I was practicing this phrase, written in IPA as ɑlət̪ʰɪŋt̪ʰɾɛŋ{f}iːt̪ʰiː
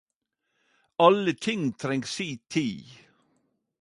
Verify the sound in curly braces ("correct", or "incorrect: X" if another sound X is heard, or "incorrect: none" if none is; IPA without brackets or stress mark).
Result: incorrect: s